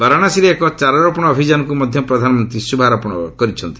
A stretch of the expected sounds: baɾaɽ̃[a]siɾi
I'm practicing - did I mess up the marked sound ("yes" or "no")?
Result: no